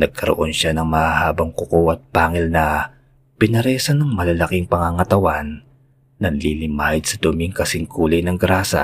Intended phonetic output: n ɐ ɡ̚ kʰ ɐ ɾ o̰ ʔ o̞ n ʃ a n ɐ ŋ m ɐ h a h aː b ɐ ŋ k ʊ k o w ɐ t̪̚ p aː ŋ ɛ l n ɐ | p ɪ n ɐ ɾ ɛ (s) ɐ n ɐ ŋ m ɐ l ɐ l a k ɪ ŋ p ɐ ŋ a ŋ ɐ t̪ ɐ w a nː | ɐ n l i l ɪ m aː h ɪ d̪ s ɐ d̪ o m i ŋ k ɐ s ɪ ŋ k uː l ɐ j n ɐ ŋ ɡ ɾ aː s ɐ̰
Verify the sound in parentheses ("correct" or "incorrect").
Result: correct